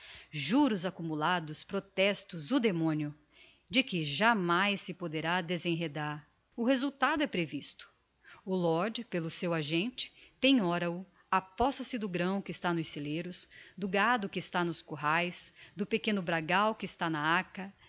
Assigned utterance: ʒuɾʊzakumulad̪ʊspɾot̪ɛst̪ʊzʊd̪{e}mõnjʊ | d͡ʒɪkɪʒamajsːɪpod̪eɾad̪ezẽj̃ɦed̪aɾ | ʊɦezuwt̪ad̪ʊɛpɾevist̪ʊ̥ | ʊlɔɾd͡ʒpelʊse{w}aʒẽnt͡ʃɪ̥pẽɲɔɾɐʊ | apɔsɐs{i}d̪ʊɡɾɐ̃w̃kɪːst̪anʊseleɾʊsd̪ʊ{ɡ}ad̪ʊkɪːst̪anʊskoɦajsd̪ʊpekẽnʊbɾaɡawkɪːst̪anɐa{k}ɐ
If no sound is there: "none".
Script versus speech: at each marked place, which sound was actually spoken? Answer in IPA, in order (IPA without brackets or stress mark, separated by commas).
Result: e, w, ɪ, ɡ, k